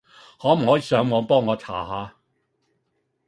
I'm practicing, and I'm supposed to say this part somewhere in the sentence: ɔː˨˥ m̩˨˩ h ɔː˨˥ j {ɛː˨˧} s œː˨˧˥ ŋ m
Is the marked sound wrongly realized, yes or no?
yes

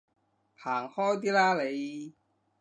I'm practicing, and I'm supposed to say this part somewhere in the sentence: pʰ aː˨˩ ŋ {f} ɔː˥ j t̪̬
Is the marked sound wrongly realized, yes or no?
yes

